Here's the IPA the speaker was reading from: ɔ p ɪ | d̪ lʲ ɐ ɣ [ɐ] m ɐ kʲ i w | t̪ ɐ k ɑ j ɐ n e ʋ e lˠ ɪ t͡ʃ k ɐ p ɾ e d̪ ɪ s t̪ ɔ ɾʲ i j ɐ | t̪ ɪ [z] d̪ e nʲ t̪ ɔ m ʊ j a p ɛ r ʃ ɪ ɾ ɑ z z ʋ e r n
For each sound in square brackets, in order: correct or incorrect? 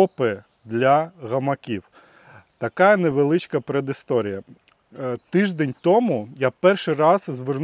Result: correct, incorrect: ʒ

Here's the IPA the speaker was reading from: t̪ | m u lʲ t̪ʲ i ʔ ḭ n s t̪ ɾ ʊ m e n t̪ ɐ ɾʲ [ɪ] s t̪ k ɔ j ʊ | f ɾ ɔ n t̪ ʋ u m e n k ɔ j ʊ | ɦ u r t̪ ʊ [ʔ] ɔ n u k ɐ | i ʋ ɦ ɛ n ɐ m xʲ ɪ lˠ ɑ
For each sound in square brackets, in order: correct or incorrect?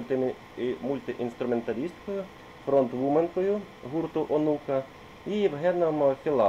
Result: incorrect: i, correct

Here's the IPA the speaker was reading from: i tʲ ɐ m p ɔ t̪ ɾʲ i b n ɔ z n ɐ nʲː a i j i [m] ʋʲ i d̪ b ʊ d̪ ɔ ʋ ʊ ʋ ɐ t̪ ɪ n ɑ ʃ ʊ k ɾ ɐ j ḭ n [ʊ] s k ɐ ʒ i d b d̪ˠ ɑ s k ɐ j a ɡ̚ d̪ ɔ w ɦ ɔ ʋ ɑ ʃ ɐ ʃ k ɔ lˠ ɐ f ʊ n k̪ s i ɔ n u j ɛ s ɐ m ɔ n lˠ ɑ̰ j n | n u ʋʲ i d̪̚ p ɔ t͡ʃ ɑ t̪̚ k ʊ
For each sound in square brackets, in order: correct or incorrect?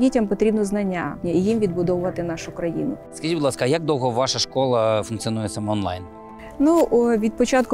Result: correct, correct

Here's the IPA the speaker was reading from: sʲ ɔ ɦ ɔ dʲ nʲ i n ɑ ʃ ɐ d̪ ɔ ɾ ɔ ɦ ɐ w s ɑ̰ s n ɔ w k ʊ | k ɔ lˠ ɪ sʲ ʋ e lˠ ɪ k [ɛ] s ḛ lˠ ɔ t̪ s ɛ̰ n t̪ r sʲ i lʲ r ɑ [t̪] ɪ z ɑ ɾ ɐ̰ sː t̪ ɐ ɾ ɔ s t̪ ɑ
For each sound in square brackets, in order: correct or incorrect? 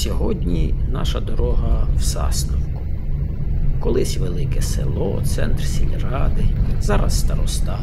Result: correct, incorrect: d̪

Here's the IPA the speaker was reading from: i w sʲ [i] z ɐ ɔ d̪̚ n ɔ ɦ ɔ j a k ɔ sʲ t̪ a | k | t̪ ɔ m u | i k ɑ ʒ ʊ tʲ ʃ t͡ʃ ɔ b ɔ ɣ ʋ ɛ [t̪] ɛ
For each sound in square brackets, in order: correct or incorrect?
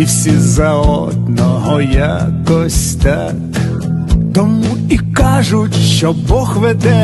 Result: correct, incorrect: d̪

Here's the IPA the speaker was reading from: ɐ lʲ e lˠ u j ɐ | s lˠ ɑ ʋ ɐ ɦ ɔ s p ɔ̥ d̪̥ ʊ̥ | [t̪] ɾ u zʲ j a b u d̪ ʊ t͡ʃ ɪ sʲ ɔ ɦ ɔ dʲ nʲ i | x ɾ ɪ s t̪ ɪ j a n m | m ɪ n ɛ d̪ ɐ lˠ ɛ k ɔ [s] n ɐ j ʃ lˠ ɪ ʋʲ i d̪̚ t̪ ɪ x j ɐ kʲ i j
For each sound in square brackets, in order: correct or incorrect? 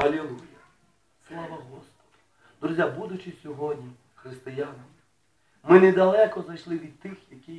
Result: incorrect: d̪, incorrect: z

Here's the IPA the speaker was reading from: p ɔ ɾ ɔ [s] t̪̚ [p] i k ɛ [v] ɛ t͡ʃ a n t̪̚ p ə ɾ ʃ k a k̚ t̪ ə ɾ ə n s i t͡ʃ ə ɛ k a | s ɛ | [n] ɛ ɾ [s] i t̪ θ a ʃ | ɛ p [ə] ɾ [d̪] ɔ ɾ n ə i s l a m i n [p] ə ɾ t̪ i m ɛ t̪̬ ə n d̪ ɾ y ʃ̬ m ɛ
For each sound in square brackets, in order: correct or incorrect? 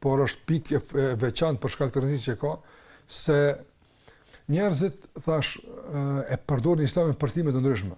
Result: incorrect: ʃ, correct, correct, incorrect: ɲ, incorrect: z, correct, correct, correct

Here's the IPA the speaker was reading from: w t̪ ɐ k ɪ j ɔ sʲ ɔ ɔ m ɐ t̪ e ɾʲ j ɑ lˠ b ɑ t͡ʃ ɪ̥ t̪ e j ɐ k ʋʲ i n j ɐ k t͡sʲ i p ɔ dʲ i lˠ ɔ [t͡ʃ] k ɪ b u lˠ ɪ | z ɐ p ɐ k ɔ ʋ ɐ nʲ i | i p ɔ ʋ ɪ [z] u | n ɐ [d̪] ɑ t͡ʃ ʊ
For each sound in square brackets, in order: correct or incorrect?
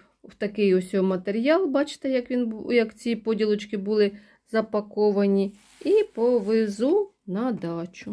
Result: correct, correct, correct

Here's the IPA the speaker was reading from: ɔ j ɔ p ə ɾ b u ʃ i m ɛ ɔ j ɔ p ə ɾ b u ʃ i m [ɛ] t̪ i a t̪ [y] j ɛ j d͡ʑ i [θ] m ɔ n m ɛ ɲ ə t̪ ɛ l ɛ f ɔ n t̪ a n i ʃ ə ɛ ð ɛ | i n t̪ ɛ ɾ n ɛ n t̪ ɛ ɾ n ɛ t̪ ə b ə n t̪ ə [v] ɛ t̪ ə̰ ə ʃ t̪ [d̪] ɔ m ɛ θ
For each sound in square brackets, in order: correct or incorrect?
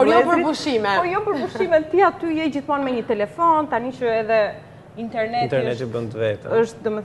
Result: correct, correct, correct, correct, correct

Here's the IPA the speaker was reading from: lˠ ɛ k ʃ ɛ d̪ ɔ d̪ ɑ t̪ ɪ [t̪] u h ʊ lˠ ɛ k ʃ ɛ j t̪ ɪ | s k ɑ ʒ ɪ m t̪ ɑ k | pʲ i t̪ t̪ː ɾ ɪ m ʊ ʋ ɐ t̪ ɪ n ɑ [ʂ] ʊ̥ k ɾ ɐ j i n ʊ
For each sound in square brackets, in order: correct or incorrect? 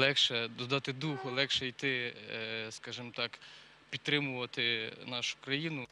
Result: incorrect: d̪, incorrect: ʃ

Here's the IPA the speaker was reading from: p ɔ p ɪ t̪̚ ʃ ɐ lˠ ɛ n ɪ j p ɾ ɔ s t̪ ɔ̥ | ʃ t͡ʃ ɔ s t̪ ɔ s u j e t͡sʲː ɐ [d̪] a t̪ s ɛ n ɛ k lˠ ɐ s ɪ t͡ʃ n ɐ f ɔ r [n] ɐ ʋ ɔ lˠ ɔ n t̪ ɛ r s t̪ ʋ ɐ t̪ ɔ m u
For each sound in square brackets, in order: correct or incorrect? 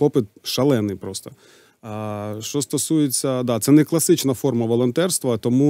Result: correct, incorrect: m

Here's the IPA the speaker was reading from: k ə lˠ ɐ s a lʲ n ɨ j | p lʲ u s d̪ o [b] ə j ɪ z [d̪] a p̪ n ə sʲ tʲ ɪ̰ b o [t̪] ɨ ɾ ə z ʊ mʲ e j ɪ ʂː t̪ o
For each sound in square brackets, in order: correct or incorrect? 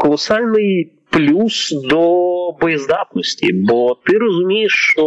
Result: correct, correct, correct

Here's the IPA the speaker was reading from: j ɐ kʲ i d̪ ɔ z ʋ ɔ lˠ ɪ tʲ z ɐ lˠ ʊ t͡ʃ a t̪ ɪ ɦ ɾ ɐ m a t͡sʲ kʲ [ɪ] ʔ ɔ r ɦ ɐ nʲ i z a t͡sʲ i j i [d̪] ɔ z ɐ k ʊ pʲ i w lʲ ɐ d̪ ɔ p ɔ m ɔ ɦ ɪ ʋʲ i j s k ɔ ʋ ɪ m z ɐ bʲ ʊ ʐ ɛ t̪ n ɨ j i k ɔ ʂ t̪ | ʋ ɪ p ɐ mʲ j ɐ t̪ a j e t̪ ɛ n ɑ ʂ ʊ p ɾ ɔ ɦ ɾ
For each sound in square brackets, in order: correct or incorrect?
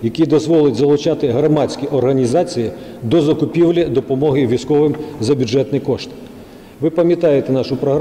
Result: incorrect: i, correct

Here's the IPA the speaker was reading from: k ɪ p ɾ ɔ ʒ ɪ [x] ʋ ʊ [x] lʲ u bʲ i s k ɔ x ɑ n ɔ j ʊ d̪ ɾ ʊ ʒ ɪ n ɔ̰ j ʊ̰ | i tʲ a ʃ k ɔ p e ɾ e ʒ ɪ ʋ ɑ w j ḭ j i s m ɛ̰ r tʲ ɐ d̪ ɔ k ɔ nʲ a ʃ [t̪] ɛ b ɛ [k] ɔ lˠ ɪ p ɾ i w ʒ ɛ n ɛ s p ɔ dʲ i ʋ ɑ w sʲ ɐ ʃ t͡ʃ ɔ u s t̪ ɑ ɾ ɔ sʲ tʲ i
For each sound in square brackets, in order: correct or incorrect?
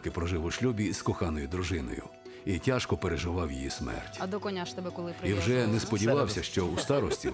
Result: incorrect: none, incorrect: ʃ, correct, correct

